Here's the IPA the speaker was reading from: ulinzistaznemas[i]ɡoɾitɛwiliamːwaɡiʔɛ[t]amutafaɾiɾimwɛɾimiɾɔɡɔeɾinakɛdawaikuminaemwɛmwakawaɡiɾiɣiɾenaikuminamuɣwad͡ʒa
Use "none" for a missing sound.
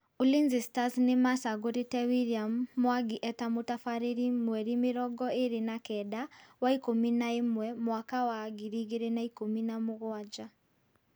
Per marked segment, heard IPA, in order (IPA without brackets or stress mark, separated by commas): a, t